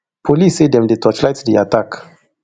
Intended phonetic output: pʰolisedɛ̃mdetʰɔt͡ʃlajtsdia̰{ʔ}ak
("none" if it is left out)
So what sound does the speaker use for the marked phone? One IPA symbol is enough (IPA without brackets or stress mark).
t